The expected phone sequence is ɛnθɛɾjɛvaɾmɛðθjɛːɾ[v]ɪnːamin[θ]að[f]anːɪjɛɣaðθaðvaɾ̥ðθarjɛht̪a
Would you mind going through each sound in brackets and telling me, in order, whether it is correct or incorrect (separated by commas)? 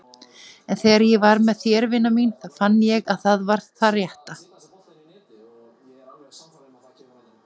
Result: correct, correct, correct